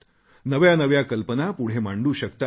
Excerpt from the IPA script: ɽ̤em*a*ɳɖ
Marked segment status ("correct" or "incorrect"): correct